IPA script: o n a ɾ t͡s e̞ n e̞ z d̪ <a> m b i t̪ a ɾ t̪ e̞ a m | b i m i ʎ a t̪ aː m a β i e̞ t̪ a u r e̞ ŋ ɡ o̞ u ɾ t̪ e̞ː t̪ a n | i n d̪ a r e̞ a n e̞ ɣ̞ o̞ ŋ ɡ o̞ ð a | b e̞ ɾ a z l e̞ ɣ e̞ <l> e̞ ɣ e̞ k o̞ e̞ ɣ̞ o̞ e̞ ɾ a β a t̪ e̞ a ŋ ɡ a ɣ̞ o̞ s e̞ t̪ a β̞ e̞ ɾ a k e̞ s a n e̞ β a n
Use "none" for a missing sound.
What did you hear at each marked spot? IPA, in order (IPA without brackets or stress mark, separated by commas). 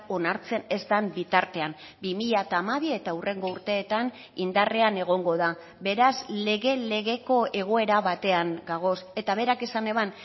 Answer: a, l